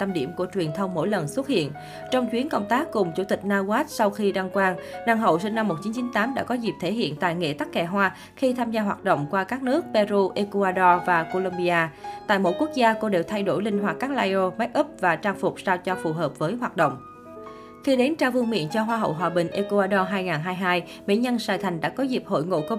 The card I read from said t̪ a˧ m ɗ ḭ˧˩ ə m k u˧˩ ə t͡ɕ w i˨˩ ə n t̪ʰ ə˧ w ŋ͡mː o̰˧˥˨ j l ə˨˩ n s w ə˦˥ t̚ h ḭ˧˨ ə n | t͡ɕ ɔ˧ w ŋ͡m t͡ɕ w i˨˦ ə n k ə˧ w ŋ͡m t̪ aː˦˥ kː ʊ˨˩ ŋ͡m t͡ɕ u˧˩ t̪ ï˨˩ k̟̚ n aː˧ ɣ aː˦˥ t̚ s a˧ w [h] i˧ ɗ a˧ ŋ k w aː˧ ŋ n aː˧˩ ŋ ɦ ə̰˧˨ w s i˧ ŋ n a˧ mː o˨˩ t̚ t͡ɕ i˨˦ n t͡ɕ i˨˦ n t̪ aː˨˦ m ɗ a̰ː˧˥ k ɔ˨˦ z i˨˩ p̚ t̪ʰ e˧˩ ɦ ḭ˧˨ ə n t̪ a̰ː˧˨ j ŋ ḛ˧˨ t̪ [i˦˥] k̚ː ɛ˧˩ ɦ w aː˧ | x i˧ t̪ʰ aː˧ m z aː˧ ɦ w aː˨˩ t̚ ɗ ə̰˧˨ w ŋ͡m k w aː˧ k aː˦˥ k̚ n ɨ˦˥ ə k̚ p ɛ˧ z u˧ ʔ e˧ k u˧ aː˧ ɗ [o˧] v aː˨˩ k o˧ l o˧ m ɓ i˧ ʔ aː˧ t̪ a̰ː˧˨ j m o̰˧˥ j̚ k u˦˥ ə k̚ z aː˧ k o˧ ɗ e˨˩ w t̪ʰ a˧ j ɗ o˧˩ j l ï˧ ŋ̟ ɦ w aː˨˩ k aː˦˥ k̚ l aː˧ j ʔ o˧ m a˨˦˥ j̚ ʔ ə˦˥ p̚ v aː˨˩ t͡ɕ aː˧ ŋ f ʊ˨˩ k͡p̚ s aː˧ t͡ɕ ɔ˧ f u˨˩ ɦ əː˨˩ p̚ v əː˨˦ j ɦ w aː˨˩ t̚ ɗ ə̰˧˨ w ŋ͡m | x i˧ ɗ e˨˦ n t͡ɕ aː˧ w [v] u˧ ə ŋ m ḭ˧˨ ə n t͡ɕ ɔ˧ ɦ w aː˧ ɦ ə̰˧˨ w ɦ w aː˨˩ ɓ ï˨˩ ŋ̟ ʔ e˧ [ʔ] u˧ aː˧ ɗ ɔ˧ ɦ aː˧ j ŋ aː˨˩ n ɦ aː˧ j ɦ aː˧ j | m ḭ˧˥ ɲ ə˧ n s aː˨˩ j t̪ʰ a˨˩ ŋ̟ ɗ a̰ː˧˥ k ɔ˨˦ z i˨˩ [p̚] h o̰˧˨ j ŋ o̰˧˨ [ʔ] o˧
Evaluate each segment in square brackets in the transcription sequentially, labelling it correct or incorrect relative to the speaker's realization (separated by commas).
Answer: incorrect, incorrect, incorrect, correct, incorrect, correct, incorrect